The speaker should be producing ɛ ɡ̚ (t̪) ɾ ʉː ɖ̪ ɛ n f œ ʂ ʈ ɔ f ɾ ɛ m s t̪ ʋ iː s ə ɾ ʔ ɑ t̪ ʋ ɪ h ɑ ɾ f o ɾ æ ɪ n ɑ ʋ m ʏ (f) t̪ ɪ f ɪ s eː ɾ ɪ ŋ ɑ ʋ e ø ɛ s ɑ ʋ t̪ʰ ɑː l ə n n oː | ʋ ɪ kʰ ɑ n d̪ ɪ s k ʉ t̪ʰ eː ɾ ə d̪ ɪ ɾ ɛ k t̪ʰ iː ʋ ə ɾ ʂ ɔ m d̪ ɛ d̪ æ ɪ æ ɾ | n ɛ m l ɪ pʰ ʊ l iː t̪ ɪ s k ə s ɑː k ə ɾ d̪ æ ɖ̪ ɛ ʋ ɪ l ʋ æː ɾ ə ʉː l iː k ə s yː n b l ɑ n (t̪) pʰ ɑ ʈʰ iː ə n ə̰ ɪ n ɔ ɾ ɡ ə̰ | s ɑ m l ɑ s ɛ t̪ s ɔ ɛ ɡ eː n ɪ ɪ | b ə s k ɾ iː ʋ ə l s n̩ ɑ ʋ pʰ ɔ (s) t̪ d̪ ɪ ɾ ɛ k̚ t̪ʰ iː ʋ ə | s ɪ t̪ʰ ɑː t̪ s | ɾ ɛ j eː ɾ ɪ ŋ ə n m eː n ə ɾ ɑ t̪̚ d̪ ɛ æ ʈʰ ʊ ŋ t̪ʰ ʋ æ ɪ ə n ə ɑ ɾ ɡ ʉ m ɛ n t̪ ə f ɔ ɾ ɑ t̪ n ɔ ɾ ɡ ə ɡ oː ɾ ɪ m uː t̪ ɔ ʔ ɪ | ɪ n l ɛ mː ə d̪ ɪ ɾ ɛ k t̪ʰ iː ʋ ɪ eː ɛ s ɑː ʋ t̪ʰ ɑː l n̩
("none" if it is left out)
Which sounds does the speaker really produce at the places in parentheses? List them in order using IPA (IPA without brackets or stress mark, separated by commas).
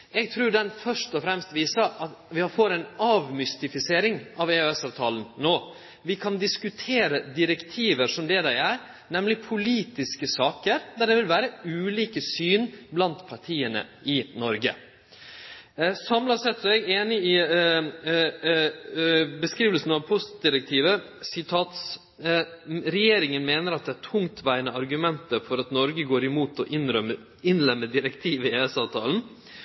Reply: t̪ʰ, s, t̪, s